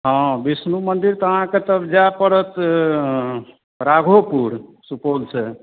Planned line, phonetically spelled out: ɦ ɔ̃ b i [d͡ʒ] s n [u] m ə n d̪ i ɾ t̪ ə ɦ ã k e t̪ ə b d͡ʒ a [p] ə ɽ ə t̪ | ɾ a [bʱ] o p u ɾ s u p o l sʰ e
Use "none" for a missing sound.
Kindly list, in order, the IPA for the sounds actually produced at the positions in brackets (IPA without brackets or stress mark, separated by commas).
none, u, p, ɡʱ